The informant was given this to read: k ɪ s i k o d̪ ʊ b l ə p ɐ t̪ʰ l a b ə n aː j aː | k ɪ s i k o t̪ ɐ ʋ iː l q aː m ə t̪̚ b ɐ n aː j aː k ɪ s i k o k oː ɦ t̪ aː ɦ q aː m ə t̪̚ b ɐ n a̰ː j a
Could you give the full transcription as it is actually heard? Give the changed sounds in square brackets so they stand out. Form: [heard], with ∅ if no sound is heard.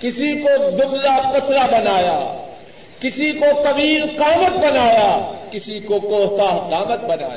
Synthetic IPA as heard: k ɪ s i k o d̪ ʊ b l [a] p ɐ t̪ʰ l a b [ɐ] n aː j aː | k ɪ s i k o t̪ ɐ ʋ iː l q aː m ə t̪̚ b ɐ n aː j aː k ɪ s i k o k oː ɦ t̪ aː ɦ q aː m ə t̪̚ b ɐ n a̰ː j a